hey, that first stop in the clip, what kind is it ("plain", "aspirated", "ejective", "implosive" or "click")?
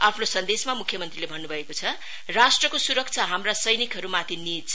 aspirated